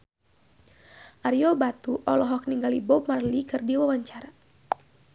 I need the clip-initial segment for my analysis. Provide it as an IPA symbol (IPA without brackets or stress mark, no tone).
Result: ʔ